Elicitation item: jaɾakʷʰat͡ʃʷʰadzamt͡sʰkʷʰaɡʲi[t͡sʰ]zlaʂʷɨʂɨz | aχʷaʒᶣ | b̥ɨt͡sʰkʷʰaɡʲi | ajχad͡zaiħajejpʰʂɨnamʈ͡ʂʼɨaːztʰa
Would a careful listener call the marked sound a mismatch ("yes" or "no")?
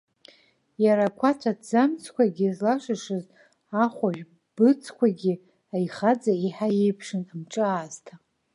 yes